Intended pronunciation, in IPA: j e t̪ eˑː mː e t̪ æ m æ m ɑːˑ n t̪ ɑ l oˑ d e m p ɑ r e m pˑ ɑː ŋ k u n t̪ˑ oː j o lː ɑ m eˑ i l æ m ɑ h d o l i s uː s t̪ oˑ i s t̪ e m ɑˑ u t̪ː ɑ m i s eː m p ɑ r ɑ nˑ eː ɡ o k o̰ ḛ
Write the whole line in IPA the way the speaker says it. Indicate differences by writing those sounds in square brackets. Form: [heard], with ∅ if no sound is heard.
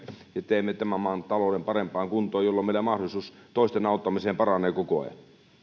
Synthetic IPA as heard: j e t̪ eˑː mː e t̪ æ m æ m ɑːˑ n t̪ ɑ l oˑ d e m p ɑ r e m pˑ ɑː ŋ k u n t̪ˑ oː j o lː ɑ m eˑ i l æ m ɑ h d o l i s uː s t̪ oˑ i s t̪ e [n] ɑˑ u t̪ː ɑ m i s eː m p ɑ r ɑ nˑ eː [k] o k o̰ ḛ